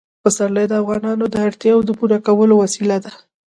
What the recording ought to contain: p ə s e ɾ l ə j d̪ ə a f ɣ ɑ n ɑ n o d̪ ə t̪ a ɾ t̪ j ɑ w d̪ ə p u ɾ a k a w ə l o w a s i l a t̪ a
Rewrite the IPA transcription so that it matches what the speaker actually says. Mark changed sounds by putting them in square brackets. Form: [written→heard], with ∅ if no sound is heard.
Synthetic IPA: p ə s [e→a] ɾ l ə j d̪ ə a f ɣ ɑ n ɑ n o d̪ ə [t̪→∅] a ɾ t̪ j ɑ w d̪ ə p u ɾ a k a w ə l o w a s i l a [t̪→d̪] a